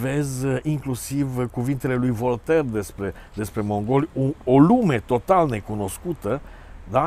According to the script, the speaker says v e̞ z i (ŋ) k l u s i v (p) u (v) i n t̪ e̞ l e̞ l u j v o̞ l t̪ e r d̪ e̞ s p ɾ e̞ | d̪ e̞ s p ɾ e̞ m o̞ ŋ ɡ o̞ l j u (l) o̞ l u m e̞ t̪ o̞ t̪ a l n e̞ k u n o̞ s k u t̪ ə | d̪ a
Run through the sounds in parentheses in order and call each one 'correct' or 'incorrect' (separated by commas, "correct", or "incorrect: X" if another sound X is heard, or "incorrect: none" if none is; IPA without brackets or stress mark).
correct, incorrect: k, correct, incorrect: none